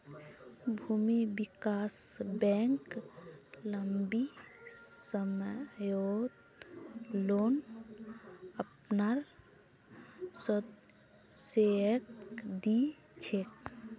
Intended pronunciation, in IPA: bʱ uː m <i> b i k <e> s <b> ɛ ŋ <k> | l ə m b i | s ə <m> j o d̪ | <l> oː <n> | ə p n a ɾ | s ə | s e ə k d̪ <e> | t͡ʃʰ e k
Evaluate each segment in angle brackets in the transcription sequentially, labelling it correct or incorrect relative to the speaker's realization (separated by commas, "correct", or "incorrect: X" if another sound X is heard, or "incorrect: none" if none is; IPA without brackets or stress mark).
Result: correct, incorrect: a, correct, correct, correct, correct, correct, incorrect: i